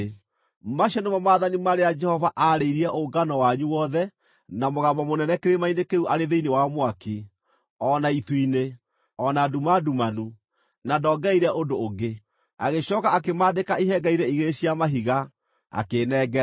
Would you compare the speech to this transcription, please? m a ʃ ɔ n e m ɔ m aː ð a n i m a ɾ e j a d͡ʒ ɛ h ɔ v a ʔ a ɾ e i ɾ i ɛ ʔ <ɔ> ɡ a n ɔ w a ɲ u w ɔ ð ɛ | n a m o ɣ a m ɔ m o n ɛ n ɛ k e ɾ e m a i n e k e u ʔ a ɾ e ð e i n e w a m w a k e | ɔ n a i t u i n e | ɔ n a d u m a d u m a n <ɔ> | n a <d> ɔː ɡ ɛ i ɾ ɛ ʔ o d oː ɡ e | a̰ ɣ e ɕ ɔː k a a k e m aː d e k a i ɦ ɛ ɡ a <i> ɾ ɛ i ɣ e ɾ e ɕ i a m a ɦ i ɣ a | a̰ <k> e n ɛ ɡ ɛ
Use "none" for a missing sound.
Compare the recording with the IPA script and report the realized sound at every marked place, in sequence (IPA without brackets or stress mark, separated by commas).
o, u, d, i, k